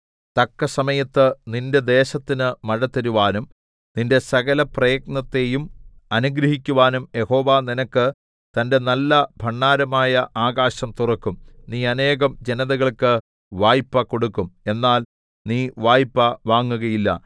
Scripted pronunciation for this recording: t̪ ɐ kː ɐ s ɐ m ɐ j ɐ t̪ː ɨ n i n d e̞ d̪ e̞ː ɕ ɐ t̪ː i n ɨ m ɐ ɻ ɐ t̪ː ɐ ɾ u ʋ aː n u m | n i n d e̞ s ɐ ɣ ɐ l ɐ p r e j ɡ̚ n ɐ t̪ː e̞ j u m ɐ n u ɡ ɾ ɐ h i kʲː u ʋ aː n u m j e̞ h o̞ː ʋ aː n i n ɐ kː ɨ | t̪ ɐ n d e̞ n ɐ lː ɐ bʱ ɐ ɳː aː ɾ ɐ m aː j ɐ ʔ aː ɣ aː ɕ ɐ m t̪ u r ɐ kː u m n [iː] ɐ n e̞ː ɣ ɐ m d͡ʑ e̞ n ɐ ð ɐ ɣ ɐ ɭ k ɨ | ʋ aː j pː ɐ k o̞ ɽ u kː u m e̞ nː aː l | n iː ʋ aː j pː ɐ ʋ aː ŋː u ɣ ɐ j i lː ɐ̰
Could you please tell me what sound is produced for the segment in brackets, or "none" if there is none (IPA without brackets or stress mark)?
iː